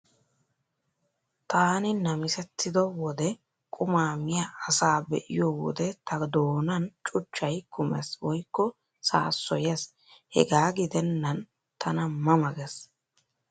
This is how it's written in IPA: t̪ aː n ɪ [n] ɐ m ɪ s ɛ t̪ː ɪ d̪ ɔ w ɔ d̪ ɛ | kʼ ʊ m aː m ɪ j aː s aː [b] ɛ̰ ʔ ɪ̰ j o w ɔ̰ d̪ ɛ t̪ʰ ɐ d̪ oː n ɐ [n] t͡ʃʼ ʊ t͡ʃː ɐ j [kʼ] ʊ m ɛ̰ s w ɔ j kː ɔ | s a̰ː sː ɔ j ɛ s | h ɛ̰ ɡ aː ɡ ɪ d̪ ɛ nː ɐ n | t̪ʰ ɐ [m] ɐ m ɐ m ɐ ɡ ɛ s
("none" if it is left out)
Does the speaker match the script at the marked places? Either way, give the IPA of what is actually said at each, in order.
n, b, n, k, n

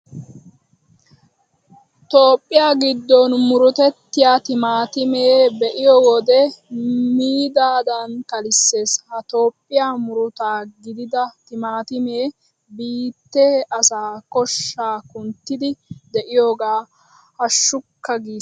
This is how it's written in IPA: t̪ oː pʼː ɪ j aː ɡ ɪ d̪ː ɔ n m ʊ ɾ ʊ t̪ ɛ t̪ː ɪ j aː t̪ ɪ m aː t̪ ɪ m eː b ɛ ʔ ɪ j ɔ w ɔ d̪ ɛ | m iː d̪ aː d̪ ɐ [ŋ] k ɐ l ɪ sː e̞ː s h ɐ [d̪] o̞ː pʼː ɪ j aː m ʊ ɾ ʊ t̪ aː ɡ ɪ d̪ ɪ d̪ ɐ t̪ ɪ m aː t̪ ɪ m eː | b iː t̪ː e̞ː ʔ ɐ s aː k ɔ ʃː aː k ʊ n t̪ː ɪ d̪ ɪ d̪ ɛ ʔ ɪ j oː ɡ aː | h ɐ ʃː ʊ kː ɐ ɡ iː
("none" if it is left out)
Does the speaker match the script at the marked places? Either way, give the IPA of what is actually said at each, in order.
n, t̪

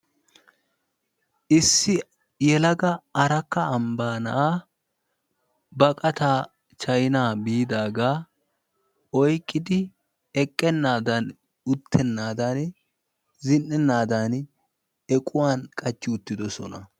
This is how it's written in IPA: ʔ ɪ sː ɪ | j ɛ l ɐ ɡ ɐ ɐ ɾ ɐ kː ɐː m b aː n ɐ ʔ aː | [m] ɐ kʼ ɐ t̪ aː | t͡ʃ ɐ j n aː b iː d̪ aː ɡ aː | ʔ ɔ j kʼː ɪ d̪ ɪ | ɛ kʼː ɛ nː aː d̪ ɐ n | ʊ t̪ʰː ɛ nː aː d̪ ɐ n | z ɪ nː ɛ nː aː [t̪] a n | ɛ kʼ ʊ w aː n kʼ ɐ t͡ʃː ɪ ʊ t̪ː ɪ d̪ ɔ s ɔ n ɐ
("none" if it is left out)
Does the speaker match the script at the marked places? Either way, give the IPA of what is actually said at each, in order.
b, d̪

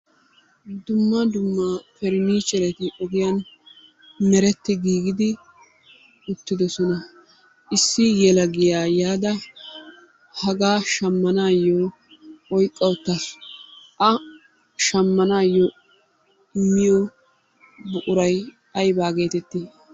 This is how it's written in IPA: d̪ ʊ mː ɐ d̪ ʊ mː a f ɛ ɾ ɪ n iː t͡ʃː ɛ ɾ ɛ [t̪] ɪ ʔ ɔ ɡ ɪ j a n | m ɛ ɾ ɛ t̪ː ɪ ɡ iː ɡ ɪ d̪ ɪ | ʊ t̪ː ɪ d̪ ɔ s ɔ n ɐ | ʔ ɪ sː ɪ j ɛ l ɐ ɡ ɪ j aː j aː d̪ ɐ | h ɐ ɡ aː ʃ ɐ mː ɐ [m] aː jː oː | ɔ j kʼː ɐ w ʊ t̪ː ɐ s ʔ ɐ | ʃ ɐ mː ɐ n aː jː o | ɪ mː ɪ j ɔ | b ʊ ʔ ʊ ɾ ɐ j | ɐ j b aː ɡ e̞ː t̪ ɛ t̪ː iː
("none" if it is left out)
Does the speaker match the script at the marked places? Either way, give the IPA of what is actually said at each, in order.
t̪, n

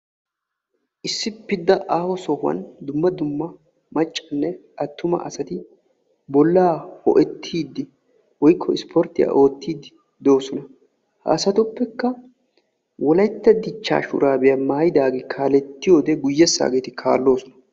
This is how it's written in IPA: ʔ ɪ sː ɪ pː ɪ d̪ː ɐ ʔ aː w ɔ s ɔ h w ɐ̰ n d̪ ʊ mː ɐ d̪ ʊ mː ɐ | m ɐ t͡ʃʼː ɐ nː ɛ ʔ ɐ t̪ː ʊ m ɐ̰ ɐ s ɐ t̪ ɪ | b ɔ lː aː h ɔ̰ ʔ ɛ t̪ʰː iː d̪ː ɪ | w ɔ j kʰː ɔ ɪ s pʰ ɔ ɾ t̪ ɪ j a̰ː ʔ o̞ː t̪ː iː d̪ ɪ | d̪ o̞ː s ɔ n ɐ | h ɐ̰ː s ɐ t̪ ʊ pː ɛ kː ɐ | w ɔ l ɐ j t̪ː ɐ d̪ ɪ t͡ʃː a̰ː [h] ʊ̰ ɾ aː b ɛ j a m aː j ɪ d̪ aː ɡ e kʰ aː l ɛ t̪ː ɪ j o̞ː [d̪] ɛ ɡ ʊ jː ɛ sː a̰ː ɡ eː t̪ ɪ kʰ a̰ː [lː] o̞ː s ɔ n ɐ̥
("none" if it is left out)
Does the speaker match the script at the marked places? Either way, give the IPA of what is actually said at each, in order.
ʃ, d̪, lː

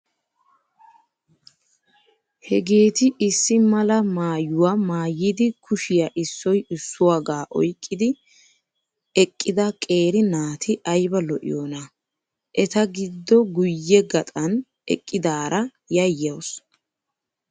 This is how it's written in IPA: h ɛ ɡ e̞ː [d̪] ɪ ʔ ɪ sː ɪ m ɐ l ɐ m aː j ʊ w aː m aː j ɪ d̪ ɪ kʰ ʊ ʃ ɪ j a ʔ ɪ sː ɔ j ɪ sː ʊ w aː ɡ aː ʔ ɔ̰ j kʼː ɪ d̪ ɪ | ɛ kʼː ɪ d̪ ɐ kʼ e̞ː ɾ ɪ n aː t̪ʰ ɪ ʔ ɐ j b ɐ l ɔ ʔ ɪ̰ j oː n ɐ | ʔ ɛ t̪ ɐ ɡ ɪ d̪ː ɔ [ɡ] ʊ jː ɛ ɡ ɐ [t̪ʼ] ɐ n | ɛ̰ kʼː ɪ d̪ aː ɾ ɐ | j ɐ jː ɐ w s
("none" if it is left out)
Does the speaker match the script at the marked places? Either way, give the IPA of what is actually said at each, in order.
t̪, ɡ, t̪ʼ

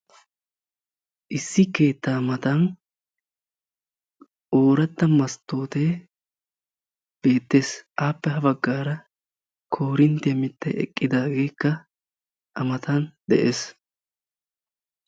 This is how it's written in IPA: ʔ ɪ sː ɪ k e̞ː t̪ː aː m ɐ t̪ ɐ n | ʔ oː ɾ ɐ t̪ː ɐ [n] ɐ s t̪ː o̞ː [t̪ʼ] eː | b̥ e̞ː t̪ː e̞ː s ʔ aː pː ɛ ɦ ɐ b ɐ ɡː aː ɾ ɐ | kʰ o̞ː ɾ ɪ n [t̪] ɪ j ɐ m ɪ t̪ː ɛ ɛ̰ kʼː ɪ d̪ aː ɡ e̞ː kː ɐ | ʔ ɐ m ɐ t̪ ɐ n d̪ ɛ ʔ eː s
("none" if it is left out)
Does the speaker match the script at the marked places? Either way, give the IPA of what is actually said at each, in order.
m, t̪, t̪

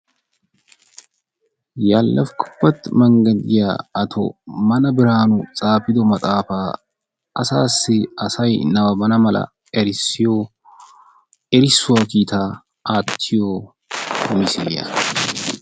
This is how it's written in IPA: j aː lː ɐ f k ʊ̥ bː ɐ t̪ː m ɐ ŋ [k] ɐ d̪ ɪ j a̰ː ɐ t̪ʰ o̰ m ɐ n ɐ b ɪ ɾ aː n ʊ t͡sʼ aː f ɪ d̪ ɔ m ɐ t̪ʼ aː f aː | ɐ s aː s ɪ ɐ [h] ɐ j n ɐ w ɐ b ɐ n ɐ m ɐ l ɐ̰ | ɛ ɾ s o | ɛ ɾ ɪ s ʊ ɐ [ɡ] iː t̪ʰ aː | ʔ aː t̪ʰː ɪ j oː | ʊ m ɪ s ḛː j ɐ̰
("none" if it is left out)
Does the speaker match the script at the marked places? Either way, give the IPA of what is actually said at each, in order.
ɡ, s, k

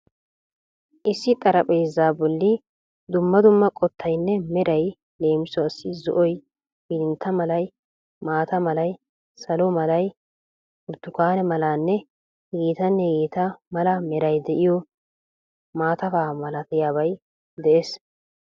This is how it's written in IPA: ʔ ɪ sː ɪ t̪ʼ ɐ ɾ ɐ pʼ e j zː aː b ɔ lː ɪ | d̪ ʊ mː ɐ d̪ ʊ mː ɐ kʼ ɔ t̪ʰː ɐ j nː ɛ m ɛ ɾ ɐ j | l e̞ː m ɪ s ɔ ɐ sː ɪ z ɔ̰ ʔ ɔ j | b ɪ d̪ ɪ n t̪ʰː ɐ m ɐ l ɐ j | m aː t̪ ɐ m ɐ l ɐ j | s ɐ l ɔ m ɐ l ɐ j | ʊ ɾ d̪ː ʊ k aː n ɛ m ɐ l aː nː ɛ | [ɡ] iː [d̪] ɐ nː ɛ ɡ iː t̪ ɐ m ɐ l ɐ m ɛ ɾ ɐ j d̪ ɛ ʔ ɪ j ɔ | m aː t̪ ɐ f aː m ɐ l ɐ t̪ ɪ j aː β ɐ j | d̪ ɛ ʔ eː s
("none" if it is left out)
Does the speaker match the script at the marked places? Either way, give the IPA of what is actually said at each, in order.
ɡ, t̪

